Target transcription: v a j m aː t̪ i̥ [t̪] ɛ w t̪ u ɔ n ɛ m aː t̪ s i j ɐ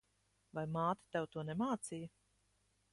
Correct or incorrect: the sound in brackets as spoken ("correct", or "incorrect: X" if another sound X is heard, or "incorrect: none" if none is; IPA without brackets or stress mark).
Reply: correct